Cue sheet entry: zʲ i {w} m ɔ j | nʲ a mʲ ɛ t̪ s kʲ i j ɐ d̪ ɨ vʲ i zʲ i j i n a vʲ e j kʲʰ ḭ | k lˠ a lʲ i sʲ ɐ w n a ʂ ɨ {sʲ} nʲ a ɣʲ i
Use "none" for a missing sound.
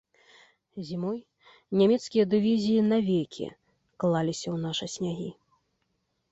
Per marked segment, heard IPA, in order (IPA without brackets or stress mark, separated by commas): none, sʲ